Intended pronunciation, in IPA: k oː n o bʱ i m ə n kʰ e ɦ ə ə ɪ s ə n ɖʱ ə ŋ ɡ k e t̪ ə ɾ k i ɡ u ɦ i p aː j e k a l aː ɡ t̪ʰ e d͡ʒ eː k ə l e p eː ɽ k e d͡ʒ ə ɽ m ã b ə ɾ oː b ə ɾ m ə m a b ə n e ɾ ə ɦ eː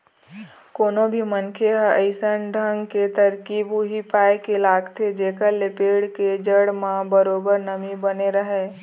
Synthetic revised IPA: k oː n o bʱ i m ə n kʰ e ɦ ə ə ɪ s ə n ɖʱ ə ŋ ɡ k e t̪ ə ɾ k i b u ɦ i p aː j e k e l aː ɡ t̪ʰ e d͡ʒ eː k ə l e p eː ɽ k e d͡ʒ ə ɽ m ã b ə ɾ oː b ə ɾ n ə m i b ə n e ɾ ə ɦ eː